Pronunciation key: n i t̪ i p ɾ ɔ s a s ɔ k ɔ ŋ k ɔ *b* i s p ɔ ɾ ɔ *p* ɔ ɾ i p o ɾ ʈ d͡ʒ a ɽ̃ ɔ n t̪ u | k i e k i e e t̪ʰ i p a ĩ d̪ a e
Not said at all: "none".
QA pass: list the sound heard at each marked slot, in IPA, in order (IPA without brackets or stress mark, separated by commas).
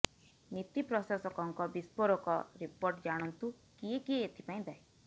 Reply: b, k